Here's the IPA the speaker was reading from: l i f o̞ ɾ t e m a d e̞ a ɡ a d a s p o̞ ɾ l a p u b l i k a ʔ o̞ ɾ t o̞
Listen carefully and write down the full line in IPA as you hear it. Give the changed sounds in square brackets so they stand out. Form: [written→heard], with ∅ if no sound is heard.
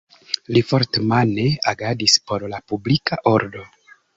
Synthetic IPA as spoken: l i f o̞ ɾ t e m a [d→n] e̞ a ɡ a d [a→i] s p o̞ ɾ l a p u b l i k a ʔ o̞ ɾ [t→d] o̞